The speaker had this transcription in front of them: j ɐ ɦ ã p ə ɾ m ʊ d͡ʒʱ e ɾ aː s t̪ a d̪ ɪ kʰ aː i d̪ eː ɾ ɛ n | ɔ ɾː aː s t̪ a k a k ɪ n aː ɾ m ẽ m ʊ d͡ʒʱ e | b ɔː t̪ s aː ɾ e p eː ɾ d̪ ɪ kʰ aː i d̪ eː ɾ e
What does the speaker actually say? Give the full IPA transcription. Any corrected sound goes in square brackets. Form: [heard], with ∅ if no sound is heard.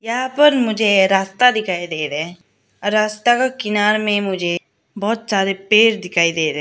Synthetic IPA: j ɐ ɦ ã p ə ɾ m ʊ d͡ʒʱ e ɾ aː s t̪ a d̪ ɪ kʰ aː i d̪ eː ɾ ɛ [∅] | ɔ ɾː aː s t̪ a k a k ɪ n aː ɾ m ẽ m ʊ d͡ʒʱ e | b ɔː t̪ s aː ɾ e p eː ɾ d̪ ɪ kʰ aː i d̪ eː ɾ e